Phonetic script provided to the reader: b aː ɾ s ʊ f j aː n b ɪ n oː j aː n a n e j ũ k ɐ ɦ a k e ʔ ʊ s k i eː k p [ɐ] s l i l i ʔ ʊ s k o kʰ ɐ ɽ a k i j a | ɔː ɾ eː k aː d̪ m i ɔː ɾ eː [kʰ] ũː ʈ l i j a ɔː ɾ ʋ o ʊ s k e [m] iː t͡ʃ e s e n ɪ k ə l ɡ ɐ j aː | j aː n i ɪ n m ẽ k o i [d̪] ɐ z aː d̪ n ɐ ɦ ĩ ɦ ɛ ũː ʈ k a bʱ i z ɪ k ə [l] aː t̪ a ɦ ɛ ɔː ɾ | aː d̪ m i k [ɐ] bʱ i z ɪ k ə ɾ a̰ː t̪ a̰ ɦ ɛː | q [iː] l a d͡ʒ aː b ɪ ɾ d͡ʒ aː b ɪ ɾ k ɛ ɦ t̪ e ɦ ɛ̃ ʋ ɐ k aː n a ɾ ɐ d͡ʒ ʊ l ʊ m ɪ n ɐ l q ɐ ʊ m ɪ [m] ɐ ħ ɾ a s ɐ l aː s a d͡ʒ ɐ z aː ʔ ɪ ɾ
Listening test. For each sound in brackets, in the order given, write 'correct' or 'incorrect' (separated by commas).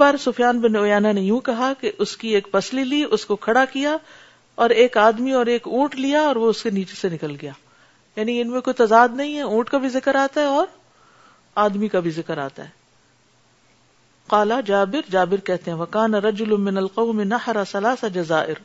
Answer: correct, incorrect, incorrect, incorrect, incorrect, incorrect, incorrect, incorrect